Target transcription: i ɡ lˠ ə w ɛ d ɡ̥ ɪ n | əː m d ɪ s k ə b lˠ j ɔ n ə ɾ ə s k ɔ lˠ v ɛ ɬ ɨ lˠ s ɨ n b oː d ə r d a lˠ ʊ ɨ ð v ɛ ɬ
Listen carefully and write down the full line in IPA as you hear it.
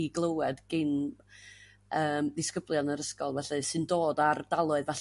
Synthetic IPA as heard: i ɡ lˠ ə w ɛ d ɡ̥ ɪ n | əː m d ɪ s k ə b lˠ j ɔ n ə ɾ ə s k ɔ lˠ v ɛ ɬ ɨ s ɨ n d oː d a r d a lˠ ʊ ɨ ð v ɛ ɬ